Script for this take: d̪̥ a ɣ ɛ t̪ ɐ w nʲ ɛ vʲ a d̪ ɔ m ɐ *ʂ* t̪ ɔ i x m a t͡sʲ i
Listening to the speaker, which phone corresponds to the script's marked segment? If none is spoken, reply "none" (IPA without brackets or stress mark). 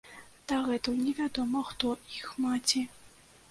x